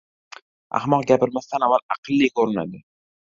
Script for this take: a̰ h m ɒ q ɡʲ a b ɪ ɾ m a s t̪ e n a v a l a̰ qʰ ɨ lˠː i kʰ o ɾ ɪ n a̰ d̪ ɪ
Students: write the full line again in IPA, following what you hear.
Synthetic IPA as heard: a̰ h m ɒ q ɡʲ a p ɪ ɾ m a s t̪ a n a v a l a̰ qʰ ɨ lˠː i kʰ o ɾ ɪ n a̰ d̪ ɪ